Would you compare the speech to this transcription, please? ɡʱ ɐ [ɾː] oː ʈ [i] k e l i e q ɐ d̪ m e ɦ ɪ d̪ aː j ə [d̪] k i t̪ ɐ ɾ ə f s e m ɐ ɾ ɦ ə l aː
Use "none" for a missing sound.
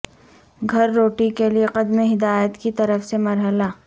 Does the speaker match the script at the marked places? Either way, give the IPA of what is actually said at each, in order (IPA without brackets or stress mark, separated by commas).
ɾː, i, t̪